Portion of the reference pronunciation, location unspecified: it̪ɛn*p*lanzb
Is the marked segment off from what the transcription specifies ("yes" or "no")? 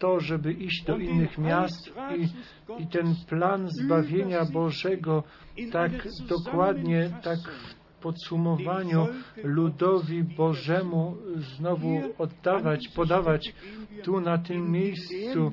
no